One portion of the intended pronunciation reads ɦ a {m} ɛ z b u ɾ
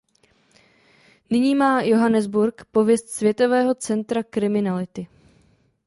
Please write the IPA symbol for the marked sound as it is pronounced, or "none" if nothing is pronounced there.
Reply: n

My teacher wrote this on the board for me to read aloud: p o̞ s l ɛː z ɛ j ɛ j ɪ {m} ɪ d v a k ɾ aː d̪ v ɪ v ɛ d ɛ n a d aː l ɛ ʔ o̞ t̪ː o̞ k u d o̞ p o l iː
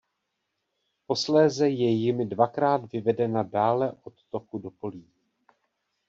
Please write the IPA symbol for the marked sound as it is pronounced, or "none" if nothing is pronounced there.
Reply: m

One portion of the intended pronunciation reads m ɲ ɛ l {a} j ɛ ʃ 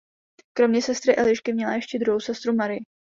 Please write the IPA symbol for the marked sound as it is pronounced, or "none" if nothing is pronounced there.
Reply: a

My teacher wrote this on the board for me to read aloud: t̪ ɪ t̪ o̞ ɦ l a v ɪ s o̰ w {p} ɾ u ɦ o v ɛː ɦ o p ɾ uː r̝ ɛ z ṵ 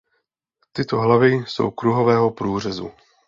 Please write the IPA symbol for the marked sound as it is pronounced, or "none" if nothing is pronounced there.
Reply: k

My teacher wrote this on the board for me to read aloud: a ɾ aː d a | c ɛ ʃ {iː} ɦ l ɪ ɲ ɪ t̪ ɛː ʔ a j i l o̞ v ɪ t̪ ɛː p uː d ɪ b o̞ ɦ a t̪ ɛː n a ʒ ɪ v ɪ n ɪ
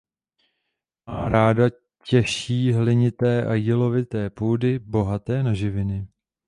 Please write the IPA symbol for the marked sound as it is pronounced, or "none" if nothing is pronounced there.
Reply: iː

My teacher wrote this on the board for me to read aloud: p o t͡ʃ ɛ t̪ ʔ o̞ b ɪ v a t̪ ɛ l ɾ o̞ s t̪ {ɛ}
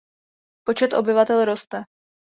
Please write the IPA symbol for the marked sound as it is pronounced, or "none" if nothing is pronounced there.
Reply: ɛ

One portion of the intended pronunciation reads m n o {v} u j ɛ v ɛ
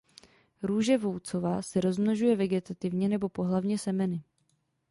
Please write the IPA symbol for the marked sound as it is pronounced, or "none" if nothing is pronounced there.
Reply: ʒ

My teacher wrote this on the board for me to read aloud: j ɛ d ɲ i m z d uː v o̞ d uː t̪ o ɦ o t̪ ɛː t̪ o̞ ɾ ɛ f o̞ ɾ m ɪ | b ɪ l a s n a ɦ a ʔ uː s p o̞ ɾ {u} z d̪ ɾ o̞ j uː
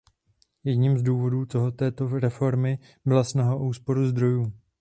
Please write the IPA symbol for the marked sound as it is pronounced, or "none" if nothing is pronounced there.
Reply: u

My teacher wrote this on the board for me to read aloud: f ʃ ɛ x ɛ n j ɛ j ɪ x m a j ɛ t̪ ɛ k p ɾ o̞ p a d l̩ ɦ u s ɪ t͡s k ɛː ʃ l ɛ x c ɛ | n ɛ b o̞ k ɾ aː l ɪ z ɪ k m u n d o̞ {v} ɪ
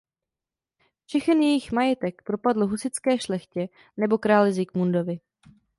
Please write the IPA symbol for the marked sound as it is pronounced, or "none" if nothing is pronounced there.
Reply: v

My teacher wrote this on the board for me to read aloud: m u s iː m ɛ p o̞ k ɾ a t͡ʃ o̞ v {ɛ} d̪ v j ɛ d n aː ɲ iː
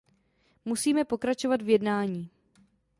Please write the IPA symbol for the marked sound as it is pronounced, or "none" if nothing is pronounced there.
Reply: a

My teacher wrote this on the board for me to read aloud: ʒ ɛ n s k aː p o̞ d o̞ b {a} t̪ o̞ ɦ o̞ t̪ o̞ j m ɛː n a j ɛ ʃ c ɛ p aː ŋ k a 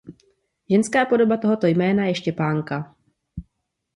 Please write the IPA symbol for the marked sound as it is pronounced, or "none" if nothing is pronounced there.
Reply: a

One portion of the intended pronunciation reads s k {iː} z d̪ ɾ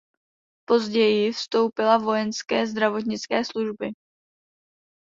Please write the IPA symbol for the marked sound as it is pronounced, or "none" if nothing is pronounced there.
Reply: ɛː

